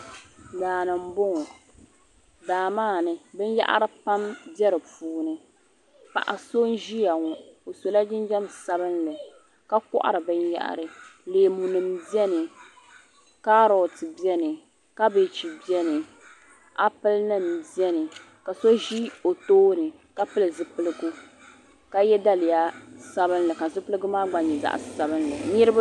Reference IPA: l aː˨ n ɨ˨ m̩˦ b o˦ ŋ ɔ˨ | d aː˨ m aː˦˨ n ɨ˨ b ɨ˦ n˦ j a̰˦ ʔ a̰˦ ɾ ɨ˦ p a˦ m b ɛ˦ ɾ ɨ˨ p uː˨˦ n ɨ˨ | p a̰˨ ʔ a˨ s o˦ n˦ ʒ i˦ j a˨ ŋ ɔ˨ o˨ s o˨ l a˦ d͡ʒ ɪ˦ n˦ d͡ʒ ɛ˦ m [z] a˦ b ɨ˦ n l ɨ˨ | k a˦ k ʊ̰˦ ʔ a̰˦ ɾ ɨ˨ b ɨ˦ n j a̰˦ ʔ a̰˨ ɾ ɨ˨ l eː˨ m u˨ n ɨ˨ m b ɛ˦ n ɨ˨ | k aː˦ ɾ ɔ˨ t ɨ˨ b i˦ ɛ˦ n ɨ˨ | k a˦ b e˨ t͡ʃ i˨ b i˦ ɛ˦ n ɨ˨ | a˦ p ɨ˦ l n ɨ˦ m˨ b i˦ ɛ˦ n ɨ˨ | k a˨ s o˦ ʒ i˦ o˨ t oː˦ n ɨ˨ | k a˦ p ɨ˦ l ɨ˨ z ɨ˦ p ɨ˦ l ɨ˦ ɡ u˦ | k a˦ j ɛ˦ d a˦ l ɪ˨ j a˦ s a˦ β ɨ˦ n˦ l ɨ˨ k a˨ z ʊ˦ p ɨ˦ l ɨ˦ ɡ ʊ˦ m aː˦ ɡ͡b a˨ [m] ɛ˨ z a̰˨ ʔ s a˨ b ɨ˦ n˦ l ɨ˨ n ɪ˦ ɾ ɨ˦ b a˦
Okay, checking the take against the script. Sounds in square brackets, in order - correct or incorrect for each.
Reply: incorrect: s, incorrect: ɲ

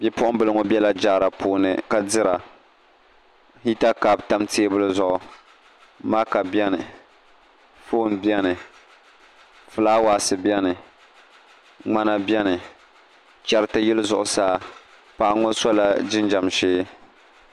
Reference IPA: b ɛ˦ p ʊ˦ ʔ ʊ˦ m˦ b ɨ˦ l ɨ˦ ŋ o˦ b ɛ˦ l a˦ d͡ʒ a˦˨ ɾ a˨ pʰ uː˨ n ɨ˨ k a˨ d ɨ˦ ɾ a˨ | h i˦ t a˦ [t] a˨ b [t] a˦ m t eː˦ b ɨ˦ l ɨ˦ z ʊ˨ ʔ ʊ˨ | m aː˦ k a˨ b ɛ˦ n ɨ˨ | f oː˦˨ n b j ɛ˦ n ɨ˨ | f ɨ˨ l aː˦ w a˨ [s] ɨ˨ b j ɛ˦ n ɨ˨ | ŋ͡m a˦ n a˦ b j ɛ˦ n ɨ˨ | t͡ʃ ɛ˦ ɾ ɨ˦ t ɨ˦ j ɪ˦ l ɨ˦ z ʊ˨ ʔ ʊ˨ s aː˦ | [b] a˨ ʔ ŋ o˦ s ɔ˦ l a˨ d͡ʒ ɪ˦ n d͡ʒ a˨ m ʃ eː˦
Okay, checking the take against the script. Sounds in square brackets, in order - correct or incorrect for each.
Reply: incorrect: k, correct, correct, incorrect: p

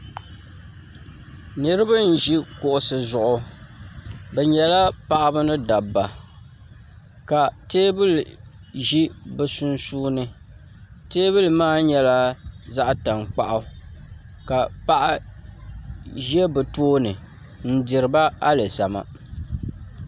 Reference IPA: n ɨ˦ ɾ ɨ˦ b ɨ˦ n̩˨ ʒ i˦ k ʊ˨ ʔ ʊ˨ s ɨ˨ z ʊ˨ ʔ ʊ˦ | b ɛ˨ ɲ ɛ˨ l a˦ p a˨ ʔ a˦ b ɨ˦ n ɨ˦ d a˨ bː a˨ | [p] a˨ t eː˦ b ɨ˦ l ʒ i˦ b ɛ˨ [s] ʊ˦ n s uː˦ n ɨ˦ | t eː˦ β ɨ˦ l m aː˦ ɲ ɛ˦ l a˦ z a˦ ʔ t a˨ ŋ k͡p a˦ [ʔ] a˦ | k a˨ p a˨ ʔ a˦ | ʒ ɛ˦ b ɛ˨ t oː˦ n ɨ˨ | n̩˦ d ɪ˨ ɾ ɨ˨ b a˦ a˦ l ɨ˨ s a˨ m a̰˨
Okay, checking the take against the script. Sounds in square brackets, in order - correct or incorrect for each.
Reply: incorrect: k, correct, correct

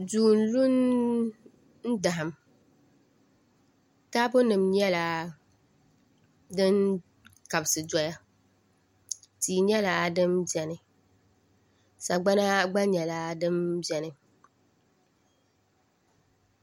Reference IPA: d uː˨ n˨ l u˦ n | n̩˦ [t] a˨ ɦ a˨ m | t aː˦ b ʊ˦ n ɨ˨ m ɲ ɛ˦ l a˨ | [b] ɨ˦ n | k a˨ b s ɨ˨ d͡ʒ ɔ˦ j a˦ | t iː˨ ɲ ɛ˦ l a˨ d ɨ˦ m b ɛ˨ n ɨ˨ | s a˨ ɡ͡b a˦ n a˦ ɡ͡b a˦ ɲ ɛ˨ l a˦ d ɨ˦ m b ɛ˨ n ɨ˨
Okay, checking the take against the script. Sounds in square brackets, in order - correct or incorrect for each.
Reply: incorrect: d, incorrect: d

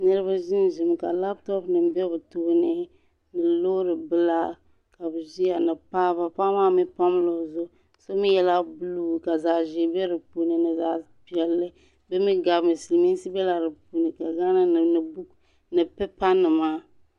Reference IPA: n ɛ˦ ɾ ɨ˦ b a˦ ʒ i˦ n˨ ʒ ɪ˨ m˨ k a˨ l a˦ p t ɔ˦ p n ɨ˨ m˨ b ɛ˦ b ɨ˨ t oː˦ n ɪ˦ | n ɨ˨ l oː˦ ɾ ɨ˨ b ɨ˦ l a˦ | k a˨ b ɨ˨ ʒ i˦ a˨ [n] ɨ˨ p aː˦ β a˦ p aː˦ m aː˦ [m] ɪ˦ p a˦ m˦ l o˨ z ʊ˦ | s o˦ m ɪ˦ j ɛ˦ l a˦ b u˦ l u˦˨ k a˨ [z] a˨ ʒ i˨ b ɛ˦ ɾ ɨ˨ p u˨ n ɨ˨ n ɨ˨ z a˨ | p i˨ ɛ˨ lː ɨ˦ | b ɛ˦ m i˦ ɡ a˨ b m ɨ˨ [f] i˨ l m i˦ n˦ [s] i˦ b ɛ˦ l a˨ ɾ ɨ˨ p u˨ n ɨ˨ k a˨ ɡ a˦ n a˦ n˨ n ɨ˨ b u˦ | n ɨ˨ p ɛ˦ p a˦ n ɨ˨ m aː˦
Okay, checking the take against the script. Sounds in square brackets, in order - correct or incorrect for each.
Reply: correct, correct, correct, incorrect: s, correct

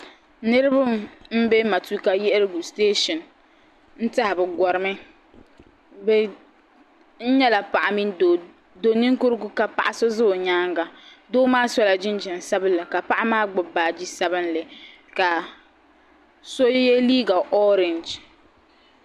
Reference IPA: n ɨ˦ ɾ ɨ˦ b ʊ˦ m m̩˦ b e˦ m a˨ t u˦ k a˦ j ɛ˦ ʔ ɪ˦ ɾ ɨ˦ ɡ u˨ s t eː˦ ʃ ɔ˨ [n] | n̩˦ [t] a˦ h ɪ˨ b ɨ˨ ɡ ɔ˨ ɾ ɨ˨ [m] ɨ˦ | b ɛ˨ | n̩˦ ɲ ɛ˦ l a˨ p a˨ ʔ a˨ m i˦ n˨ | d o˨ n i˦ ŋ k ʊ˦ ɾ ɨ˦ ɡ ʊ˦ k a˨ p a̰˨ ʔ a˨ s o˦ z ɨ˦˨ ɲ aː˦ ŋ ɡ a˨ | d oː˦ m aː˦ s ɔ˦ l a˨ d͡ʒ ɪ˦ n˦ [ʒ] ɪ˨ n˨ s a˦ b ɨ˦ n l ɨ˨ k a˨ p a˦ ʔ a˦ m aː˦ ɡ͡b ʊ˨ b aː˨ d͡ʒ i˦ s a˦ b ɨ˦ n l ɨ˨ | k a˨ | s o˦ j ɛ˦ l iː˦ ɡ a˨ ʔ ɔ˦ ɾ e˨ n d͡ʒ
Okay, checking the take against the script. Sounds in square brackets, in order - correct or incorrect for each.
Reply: correct, correct, correct, incorrect: d͡ʒ

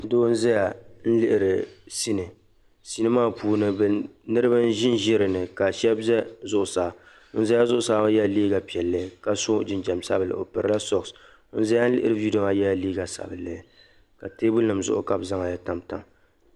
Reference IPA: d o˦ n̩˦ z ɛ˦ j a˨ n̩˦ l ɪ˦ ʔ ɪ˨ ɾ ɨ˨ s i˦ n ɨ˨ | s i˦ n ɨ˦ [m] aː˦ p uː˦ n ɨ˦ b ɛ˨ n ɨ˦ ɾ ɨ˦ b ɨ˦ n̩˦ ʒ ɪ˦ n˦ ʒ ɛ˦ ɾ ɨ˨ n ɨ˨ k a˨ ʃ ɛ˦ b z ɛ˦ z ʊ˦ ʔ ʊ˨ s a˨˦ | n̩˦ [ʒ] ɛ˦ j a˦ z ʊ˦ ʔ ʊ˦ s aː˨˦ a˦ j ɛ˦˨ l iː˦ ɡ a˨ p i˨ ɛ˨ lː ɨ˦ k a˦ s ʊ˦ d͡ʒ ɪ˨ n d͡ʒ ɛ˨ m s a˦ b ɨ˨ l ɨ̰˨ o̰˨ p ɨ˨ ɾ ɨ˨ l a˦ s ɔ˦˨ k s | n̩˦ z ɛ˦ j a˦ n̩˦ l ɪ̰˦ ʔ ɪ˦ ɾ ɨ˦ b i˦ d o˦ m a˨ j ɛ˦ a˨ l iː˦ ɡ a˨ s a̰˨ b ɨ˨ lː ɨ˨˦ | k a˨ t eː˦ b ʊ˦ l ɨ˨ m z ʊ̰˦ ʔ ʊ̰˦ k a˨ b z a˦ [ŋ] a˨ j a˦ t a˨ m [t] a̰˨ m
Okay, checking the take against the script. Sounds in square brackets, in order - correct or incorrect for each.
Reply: correct, incorrect: z, correct, correct

